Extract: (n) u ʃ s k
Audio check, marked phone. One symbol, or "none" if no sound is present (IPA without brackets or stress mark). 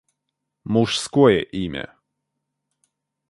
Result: m